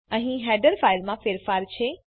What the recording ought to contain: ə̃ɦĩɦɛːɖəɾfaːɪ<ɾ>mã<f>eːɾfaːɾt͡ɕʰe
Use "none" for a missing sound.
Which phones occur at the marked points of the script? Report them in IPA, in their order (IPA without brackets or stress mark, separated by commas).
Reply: l, f